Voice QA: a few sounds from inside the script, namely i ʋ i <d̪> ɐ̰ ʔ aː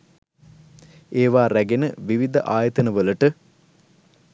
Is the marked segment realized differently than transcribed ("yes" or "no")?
no